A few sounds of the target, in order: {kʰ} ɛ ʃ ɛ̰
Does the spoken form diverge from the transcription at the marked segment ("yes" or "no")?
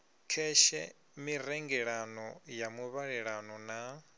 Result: no